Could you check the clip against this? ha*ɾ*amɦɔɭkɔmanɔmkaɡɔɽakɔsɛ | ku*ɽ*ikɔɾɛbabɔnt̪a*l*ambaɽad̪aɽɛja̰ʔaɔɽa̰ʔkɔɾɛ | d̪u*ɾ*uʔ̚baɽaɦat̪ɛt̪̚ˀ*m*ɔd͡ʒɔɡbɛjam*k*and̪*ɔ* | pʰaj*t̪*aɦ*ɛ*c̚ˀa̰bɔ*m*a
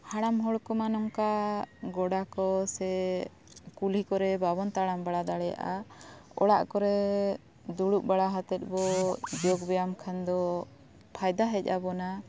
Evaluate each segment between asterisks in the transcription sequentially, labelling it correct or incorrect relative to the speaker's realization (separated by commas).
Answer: incorrect, incorrect, incorrect, incorrect, incorrect, incorrect, correct, incorrect, correct, incorrect